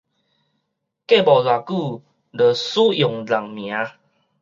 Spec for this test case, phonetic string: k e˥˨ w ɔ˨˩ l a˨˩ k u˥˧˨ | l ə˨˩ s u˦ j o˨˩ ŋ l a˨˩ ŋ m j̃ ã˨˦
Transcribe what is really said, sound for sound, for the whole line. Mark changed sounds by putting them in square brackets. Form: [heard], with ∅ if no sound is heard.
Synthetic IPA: k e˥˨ [b] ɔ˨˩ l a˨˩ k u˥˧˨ | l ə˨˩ s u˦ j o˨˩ ŋ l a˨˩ ŋ m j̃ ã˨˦

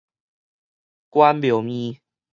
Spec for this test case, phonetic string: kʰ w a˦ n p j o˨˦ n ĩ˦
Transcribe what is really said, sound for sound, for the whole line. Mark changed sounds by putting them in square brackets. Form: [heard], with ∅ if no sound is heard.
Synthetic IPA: [k] w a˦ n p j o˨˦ [m] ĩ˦

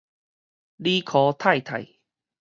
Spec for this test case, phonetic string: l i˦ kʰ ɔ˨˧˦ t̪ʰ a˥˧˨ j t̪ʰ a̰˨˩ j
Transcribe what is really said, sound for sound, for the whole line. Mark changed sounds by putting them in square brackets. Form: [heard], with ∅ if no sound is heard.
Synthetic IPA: l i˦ kʰ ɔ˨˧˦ t̪ʰ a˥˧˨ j t̪ʰ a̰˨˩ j

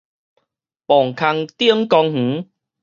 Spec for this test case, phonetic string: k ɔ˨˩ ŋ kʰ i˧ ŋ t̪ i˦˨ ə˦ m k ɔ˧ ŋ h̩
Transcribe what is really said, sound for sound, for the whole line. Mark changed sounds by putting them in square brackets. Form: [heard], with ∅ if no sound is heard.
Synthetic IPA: [p] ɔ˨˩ ŋ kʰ [a˧] ŋ t̪ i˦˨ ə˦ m k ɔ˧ ŋ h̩

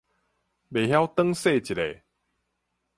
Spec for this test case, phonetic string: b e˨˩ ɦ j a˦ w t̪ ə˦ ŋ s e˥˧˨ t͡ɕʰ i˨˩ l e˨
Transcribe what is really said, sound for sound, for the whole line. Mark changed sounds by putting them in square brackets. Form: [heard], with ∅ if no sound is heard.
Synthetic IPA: b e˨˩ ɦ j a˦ w t̪ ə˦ ŋ s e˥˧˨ [t͡ɕ] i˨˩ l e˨

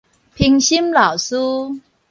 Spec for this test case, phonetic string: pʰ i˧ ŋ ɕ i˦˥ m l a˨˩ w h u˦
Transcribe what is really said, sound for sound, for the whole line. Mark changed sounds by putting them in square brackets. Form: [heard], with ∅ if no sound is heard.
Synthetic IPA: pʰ i˧ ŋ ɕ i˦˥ m l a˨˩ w [s] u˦

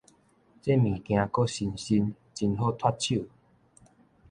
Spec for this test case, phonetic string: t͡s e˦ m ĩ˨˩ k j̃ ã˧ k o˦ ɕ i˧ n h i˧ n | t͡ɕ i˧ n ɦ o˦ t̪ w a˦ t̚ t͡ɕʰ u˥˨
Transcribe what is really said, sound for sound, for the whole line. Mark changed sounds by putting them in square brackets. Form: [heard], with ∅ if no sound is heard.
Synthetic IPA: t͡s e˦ m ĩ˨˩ k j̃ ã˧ k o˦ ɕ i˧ n [ɕ] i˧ n | t͡ɕ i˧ n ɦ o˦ [t̪ʰ] w a˦ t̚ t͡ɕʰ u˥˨

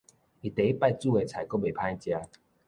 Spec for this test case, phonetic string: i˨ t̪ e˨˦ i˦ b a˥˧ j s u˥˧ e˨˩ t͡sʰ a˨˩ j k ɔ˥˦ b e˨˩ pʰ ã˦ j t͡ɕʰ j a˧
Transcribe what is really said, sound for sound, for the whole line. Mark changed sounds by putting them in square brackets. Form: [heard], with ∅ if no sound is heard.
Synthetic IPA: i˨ t̪ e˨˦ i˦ [p] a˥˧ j [t͡s] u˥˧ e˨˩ t͡sʰ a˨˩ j k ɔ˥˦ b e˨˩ pʰ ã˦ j [t͡ɕ] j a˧

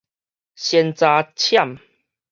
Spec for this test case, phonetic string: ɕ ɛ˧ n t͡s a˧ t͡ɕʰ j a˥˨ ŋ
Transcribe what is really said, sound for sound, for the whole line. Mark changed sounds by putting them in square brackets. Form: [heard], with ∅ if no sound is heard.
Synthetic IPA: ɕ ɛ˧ n t͡s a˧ t͡ɕʰ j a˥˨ [m]

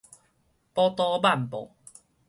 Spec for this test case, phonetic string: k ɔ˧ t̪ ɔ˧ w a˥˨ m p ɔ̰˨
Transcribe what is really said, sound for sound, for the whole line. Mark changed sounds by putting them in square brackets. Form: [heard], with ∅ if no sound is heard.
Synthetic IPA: [p] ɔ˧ t̪ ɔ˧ [b] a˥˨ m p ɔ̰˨

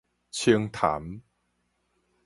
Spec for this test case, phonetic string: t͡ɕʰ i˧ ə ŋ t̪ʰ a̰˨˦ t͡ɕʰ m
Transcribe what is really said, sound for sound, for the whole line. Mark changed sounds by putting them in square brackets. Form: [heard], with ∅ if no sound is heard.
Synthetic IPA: t͡ɕʰ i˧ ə ŋ t̪ʰ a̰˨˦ [∅] m

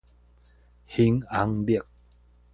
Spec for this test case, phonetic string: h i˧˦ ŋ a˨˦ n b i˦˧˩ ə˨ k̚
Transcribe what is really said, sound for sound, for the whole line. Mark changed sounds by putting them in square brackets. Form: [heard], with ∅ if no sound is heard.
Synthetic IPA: h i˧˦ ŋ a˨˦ [ŋ] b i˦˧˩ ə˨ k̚

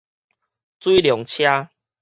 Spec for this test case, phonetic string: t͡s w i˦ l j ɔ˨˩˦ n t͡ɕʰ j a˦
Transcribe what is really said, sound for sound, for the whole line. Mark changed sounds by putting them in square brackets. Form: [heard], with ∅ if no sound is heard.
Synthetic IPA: t͡s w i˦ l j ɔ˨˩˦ [ŋ] t͡ɕʰ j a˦

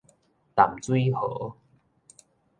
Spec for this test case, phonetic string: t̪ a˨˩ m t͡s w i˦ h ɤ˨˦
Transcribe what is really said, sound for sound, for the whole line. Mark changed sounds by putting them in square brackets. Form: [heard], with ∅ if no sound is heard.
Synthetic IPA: t̪ a˨˩ m t͡s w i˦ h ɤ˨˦

